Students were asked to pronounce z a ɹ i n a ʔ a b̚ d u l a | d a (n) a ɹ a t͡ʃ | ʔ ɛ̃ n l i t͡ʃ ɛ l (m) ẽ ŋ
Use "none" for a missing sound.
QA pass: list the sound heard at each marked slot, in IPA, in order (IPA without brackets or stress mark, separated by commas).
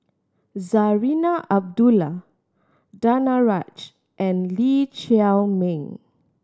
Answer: n, m